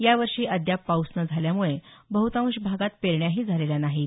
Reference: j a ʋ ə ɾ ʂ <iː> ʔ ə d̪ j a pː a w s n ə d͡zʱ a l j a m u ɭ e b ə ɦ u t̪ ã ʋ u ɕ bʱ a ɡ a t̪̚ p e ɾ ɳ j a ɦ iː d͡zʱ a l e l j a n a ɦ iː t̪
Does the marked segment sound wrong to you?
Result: no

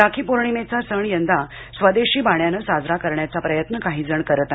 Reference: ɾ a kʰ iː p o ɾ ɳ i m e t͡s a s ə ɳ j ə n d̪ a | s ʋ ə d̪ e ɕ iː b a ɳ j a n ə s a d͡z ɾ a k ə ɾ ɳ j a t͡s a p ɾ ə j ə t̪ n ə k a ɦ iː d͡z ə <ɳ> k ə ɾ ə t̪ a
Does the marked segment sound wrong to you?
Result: no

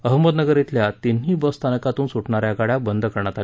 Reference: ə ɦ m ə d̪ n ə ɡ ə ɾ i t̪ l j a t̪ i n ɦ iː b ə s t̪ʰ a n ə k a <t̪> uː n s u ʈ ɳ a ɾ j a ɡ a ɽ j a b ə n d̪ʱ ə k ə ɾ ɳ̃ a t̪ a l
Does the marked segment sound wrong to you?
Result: no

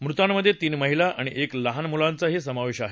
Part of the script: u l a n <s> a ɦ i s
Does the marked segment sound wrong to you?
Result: yes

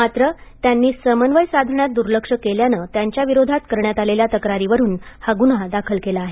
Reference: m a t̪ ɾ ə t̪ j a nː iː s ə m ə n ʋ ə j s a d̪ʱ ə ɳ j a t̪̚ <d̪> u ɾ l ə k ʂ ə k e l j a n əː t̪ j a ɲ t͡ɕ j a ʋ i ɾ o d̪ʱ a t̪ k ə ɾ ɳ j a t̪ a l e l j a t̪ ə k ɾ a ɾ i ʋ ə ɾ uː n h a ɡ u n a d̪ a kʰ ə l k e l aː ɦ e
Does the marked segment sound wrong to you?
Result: no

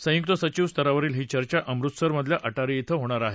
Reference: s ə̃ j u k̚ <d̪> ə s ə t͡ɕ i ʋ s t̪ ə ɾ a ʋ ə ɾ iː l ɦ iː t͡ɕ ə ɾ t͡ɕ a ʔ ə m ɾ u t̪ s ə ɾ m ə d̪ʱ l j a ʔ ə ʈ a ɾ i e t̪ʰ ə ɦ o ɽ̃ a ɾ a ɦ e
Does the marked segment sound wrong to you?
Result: yes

